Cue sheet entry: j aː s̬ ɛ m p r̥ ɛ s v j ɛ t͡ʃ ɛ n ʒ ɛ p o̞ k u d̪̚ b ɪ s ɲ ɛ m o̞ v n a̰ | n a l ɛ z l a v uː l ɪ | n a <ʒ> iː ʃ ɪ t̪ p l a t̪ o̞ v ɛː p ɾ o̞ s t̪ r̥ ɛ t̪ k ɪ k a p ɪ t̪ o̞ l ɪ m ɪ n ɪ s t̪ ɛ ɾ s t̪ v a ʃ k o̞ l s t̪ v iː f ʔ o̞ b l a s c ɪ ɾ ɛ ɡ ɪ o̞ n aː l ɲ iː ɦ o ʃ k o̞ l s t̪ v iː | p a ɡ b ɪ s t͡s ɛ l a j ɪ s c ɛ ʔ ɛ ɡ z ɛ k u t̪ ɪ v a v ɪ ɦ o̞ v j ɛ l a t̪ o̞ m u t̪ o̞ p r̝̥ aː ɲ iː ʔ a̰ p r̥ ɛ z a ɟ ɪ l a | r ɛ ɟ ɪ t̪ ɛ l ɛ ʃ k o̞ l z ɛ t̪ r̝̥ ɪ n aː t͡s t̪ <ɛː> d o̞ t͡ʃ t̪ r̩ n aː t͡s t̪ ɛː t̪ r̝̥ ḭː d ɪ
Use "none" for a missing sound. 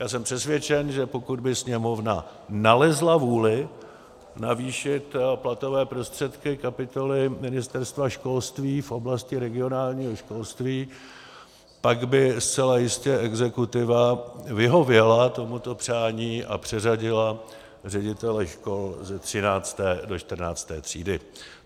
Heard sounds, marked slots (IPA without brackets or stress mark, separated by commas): v, ɛː